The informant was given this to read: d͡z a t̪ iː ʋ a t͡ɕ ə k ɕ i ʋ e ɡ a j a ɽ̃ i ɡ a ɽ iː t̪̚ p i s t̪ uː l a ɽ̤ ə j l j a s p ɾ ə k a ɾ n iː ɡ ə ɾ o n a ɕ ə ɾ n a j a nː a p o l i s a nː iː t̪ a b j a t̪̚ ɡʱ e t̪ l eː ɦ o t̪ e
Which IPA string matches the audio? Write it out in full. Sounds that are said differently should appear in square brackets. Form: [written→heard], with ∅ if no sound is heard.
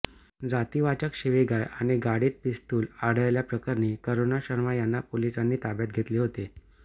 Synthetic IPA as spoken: d͡z a t̪ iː ʋ a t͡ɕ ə k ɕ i ʋ e ɡ a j a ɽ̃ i ɡ a ɽ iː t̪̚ p i s t̪ uː l a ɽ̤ ə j l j a [s→∅] p ɾ ə k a ɾ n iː [ɡ→k] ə ɾ o n a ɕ ə ɾ [n→m] a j a nː a p o l i s a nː iː t̪ a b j a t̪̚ ɡʱ e t̪ l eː ɦ o t̪ e